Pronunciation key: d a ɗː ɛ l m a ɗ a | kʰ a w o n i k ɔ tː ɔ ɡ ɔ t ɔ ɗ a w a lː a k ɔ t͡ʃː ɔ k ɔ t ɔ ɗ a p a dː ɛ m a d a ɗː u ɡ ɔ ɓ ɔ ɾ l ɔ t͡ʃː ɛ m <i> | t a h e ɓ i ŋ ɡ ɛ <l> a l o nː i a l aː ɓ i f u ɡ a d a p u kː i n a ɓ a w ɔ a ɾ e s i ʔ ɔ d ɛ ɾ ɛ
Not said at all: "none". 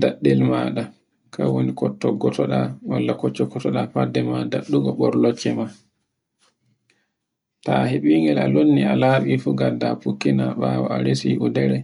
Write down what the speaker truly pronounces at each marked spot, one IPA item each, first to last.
a, l

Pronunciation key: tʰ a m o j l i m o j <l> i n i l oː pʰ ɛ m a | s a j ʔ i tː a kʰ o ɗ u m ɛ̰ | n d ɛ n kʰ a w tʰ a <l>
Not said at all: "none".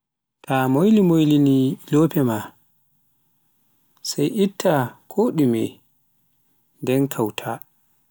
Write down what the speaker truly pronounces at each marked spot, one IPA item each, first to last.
l, none

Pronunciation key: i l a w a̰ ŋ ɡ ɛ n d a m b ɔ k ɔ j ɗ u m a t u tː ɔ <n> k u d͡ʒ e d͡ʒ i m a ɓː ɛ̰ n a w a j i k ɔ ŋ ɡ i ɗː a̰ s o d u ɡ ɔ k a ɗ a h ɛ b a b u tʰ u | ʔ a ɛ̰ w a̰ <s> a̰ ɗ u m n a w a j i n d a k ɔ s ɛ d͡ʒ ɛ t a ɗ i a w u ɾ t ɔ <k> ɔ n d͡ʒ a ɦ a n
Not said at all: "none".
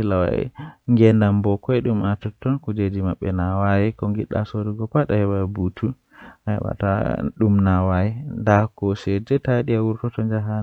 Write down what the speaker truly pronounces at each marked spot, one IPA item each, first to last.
n, t, t

